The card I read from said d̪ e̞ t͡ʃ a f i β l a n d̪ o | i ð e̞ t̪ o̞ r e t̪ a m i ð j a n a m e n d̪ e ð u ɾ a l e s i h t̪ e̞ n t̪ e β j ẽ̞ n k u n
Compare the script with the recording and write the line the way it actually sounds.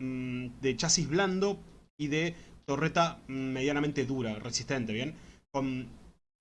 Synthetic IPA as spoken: d̪ e̞ t͡ʃ a s i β l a n d̪ o | i ð e̞ t̪ o̞ r e t̪ a m e ð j a n a m e n t̪ e ð u ɾ a r e s i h t̪ e̞ n t̪ e β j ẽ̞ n k o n